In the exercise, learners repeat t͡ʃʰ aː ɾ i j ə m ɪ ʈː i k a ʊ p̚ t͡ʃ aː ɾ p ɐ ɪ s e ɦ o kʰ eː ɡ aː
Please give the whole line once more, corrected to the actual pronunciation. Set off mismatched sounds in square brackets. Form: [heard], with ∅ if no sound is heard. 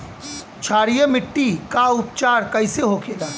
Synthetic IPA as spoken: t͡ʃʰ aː ɾ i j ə m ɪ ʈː i k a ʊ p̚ t͡ʃ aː ɾ [k] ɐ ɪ s e ɦ o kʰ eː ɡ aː